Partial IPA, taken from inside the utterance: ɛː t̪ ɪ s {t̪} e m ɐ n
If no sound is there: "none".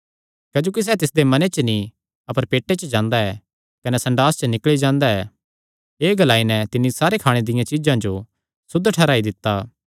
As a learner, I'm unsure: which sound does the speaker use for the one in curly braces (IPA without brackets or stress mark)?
d̪